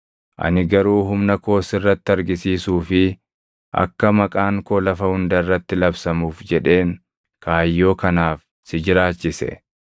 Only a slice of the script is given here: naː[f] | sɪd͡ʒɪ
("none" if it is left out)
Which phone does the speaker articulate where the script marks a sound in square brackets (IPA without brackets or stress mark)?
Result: f